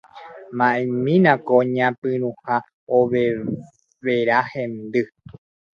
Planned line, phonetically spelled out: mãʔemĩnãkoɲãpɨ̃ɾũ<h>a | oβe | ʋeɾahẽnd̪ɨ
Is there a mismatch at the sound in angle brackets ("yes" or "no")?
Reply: no